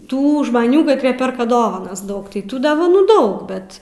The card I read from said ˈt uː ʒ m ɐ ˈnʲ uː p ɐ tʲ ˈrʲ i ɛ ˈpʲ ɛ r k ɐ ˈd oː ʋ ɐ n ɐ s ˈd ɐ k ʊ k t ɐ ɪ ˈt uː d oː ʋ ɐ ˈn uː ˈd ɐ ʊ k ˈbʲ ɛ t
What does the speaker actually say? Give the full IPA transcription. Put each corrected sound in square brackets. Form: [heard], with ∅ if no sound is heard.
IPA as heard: ˈt uː ʒ m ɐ ˈnʲ uː [k] ɐ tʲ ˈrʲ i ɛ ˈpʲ ɛ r k ɐ ˈd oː ʋ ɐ n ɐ s ˈd ɐ [∅] ʊ k t ɐ ɪ ˈt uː d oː ʋ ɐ ˈn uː ˈd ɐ ʊ k ˈbʲ ɛ t